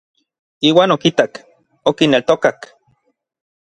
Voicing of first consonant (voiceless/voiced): voiced